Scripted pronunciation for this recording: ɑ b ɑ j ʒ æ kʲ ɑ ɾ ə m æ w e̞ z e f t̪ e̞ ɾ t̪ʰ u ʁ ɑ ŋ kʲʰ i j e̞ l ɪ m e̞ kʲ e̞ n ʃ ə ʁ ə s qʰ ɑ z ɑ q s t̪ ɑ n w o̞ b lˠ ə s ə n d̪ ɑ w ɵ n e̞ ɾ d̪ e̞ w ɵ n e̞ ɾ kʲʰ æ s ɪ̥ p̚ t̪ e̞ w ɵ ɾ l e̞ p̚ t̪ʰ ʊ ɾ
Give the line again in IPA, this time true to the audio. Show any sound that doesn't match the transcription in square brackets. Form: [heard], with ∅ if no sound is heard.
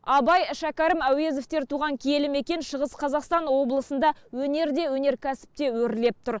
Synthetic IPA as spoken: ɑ b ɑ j [ʃ] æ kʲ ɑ ɾ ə m æ w e̞ z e f t̪ e̞ ɾ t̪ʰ u ʁ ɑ ŋ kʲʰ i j e̞ l ɪ m e̞ kʲ e̞ n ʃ ə ʁ ə s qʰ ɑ z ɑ q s t̪ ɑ n w o̞ b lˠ ə s ə n d̪ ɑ w ɵ n e̞ ɾ d̪ e̞ w ɵ n e̞ ɾ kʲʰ æ s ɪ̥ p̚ t̪ e̞ w ɵ ɾ l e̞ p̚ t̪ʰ ʊ ɾ

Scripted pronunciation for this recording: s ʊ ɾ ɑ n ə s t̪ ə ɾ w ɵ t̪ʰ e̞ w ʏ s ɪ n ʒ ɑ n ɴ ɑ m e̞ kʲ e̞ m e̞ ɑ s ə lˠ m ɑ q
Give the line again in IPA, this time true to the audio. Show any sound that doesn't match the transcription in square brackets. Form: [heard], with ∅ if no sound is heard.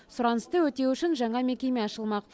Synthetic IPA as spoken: s ʊ ɾ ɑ n ə s t̪ ə [∅] w ɵ [t̪] e̞ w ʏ [ʃ] ɪ n ʒ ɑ [∅] ɴ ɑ m e̞ kʲ e̞ m e̞ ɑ [ʃ] ə lˠ m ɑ q

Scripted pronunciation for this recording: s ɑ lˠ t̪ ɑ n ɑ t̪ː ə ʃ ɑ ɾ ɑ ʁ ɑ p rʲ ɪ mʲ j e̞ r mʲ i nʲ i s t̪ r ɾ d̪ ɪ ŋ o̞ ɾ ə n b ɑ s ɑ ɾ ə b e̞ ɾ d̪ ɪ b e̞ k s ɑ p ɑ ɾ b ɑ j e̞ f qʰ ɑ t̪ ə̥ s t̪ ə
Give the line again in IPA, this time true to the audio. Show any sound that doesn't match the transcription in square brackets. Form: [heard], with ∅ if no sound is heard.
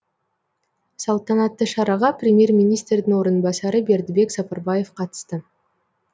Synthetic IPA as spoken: s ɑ lˠ t̪ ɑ n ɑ t̪ː ə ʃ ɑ ɾ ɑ ʁ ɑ p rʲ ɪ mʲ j e̞ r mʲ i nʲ i s t̪ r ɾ d̪ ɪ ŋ o̞ ɾ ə n b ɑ s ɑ ɾ ə b e̞ ɾ d̪ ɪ b e̞ k s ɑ p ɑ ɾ b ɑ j e̞ f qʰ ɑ t̪ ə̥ s t̪ ə

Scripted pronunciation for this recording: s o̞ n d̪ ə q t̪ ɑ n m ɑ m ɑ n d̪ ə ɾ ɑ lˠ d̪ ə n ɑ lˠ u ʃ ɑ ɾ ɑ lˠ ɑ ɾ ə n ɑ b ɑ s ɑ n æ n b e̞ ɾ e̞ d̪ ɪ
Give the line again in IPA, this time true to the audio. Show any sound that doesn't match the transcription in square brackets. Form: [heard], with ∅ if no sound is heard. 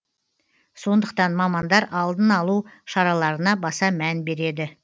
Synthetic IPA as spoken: s o̞ n d̪ ə q t̪ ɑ n m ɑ m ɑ n d̪ [ɑ] ɾ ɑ lˠ d̪ ə n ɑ lˠ u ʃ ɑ ɾ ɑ lˠ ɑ ɾ ə n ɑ b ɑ s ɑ [m] æ n b e̞ ɾ e̞ d̪ ɪ

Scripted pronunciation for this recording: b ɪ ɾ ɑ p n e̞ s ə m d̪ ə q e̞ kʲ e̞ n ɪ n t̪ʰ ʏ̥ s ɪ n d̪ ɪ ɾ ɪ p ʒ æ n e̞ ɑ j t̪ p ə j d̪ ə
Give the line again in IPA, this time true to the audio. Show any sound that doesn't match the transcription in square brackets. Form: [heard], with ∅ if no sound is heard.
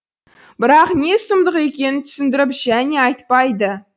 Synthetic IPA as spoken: b ɪ ɾ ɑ [q] n e̞ s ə m d̪ ə q e̞ kʲ e̞ n ɪ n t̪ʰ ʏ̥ s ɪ n d̪ ɪ ɾ ɪ p ʒ æ n e̞ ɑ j t̪ p [ɑ] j d̪ ə

